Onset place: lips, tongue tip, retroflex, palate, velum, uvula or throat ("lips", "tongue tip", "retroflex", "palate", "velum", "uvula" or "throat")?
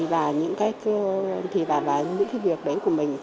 lips